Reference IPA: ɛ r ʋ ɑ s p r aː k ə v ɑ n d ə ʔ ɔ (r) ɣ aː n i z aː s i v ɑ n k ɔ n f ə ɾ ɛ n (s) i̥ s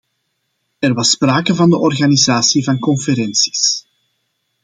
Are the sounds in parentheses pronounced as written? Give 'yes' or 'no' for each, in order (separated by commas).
yes, yes